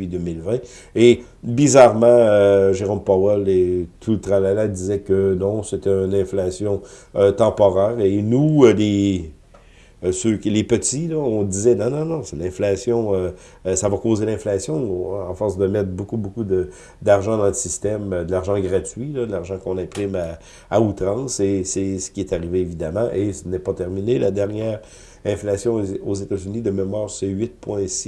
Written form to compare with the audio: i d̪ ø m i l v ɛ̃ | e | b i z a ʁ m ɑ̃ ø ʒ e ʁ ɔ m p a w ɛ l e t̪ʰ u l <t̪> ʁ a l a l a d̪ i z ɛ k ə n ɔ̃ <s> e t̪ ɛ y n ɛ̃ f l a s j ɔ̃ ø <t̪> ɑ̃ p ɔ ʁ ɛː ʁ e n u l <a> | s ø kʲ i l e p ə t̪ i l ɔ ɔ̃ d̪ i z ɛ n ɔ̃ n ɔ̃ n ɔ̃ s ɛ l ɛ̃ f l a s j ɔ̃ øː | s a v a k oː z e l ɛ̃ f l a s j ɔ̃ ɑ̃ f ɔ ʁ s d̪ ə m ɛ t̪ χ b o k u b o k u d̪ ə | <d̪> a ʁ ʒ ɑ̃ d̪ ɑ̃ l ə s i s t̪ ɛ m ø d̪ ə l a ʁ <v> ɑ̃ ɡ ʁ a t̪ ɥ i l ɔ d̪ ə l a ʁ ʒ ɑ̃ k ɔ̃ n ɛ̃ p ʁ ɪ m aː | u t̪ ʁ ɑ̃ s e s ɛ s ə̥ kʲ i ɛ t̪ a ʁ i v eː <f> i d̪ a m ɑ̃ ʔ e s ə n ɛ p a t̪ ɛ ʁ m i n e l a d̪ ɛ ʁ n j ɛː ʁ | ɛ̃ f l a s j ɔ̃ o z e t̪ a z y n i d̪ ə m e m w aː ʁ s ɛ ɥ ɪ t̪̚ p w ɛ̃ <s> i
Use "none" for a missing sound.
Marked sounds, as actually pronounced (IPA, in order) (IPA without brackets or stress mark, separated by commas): t̪, s, t̪, e, d̪, ʒ, v, s